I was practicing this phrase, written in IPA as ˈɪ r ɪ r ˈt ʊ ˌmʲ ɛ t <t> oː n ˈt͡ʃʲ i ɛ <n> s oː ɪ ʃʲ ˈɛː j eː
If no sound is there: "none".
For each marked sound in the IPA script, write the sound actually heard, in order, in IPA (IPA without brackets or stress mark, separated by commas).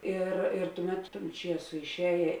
t, none